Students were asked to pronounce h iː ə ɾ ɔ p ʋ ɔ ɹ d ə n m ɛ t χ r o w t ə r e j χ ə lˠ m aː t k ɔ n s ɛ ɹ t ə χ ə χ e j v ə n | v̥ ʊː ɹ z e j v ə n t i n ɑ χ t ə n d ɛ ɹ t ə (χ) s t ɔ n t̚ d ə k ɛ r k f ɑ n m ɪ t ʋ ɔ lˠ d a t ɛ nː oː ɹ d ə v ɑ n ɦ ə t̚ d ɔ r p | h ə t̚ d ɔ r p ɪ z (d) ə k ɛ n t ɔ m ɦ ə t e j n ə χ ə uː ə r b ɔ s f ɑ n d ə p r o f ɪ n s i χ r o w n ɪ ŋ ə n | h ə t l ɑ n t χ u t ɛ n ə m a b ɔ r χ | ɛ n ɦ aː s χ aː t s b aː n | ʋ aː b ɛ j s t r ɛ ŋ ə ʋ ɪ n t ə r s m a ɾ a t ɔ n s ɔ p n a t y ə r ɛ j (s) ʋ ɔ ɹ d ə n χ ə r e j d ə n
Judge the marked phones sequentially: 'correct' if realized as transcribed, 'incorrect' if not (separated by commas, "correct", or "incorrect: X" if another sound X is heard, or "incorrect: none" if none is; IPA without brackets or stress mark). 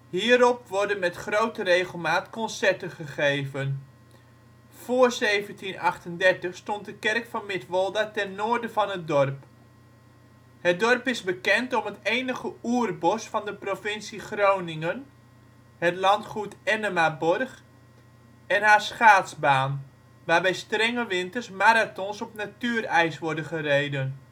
correct, incorrect: b, correct